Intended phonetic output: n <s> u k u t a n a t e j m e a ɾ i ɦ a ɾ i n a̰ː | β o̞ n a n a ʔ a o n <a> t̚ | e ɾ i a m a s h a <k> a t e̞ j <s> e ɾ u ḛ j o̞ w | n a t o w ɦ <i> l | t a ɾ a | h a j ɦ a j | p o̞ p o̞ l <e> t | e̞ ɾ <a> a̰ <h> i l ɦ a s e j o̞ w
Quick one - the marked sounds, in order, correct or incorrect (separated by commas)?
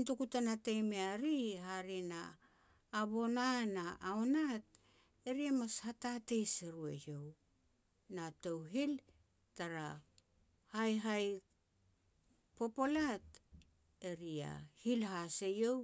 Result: incorrect, correct, incorrect, correct, correct, incorrect, incorrect, correct